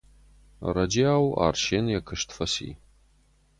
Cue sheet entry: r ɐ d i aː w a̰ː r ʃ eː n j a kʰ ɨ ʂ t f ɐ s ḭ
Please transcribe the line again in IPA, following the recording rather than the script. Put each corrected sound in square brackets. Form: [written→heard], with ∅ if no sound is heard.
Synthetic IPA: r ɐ [d→d͡ʒ] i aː w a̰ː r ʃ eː n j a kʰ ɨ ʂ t f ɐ s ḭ